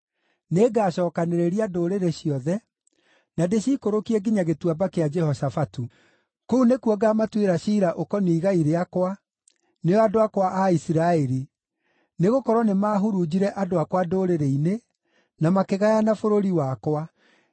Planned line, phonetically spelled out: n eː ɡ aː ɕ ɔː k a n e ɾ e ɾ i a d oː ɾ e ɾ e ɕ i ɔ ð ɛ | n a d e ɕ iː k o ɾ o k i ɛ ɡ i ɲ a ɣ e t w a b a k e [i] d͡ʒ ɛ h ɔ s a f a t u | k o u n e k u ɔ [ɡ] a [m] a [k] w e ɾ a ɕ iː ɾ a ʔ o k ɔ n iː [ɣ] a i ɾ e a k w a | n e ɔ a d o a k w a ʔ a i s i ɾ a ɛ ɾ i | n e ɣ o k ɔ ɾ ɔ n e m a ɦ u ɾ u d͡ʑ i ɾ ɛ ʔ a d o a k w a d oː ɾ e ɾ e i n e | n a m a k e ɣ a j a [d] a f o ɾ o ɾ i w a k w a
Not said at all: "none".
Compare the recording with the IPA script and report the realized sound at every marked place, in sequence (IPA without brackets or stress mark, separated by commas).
a, ɡ, m, t, ɣ, n